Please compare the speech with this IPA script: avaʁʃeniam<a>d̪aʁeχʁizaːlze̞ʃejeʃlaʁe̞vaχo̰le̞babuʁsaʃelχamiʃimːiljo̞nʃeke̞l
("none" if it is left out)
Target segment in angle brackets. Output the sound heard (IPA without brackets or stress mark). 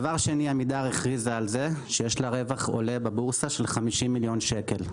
i